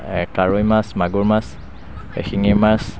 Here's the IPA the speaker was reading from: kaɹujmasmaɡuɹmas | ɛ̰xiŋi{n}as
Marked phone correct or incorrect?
incorrect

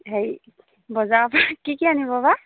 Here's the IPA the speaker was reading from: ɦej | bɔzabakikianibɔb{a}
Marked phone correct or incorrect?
correct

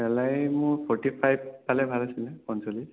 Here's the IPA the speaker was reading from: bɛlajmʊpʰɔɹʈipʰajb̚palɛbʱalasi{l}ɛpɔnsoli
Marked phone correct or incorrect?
correct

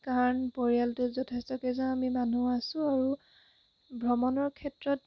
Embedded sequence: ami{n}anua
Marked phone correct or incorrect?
incorrect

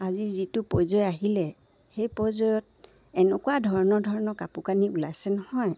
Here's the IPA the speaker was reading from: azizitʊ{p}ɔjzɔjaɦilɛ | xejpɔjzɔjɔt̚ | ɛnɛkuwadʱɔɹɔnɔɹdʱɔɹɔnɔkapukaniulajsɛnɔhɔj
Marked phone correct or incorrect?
correct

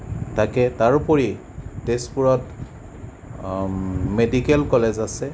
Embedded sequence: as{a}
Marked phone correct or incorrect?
incorrect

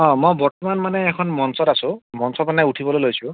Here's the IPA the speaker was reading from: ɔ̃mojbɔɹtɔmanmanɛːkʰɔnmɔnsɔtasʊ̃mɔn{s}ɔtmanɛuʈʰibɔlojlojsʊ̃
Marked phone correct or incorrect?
correct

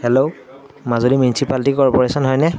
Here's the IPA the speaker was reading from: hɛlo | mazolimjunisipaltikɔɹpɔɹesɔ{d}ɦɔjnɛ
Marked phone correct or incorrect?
incorrect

